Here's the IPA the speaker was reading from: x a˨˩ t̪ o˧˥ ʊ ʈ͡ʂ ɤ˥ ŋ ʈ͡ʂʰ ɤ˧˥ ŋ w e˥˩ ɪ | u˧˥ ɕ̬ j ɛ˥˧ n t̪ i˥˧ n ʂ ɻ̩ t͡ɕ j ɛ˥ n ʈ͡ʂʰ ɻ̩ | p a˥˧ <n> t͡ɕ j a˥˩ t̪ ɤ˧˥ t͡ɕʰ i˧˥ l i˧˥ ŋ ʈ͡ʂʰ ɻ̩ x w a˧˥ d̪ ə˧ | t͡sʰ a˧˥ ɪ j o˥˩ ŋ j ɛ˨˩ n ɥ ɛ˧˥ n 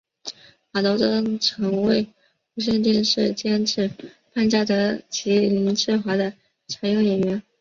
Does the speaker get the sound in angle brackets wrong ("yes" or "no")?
no